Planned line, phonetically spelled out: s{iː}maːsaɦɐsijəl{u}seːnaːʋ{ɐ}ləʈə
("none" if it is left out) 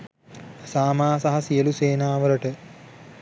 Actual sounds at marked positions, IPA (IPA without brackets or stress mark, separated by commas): aː, u, ə